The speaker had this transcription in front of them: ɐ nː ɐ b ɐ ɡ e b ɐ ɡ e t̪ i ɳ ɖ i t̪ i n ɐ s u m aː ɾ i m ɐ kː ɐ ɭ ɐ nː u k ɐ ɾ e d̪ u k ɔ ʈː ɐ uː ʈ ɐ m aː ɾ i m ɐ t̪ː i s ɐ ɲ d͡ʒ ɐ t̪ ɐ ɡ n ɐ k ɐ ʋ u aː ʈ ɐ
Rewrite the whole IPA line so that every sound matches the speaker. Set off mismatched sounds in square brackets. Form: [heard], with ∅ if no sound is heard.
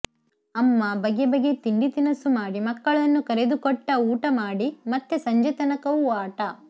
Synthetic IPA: ɐ [mː] ɐ b ɐ ɡ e b ɐ ɡ e t̪ i ɳ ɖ i t̪ i n ɐ s u m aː [ɽ] i m ɐ kː ɐ ɭ ɐ nː u k ɐ ɾ e d̪ u k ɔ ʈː ɐ uː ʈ ɐ m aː [ɽ] i m ɐ t̪ː [e] s ɐ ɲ d͡ʒ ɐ t̪ ɐ [∅] n ɐ k ɐ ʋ u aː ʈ ɐ